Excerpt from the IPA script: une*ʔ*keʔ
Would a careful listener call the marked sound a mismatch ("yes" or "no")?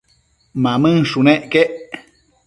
no